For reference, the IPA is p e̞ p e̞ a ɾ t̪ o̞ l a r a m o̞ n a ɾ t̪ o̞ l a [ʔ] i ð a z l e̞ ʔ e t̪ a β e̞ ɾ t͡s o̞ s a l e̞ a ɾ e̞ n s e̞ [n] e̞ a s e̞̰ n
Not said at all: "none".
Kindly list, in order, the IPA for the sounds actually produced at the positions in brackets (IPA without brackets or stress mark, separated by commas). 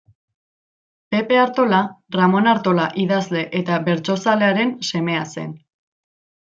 ʔ, m